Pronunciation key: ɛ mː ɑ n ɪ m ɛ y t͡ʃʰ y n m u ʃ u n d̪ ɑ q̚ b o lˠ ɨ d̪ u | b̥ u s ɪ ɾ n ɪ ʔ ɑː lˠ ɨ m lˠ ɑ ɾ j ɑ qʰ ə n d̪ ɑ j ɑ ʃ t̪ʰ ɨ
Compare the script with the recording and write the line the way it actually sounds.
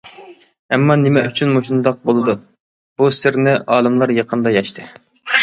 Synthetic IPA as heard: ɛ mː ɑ n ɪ m ɛ y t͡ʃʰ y n m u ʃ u n d̪ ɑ q̚ b o lˠ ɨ d̪ u | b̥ u s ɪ ɾ n ɪ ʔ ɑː lˠ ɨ m lˠ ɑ ɾ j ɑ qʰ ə n d̪ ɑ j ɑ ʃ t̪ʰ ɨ